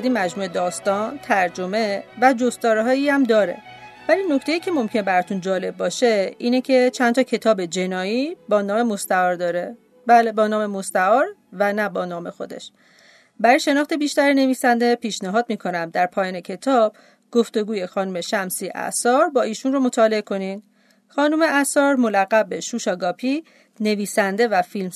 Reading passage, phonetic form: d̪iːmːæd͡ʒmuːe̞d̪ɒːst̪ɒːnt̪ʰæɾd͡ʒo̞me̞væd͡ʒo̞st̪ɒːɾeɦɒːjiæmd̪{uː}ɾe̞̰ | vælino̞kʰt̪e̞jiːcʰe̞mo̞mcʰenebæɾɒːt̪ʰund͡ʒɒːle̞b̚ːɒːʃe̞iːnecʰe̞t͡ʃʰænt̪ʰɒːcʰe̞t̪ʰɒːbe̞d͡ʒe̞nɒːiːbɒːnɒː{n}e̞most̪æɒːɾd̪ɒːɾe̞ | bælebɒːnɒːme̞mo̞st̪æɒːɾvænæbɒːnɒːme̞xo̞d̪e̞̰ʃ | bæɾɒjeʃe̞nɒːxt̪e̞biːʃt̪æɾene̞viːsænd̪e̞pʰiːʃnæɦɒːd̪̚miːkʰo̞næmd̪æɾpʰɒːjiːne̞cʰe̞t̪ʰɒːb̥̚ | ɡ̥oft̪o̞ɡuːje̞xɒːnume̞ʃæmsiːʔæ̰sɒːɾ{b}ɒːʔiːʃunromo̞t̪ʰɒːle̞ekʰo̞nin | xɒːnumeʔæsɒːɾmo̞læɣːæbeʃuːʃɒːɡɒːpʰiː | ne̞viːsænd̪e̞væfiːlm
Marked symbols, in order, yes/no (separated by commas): no, no, yes